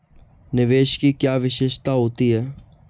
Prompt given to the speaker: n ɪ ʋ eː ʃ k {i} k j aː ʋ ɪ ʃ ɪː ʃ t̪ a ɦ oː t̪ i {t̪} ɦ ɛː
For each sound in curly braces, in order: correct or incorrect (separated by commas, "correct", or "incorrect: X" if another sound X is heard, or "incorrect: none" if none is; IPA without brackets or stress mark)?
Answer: correct, incorrect: none